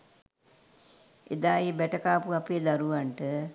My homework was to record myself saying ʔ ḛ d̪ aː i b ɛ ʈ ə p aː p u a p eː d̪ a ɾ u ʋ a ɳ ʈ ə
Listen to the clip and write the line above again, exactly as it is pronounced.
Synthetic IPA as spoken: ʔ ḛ d̪ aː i b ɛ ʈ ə k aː p u a p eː d̪ a ɾ u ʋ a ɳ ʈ ə

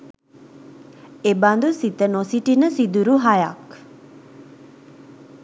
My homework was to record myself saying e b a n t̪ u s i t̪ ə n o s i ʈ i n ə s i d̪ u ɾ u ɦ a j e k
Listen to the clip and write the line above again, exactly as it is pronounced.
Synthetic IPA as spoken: e b a n d̪ u s i t̪ ə n o s i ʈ i n ə s i d̪ u ɾ u ɦ a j a k

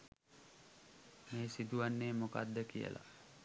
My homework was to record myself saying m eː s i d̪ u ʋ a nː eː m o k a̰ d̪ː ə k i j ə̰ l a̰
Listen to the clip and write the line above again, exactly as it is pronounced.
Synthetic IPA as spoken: m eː s i d̪ u ʋ a nː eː m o k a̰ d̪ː ə k i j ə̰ l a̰

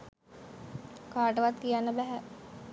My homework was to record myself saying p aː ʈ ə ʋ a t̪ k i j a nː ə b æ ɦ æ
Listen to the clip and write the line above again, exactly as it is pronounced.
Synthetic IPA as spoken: k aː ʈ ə ʋ a t̪ k i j a nː ə b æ ɦ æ

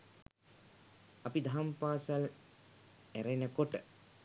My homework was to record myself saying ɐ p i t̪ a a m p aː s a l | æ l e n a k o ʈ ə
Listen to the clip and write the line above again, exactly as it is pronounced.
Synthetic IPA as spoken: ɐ p i d̪ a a m p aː s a l | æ ɾ e n ə k o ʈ ə

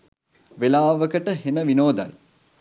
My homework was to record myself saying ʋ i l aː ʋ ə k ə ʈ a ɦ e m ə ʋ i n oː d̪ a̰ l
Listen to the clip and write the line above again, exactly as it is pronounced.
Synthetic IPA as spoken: ʋ e l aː ʋ ə k ə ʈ ə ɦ e n ə ʋ i n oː d̪ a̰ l

